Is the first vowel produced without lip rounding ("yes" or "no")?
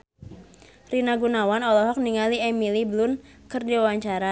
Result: yes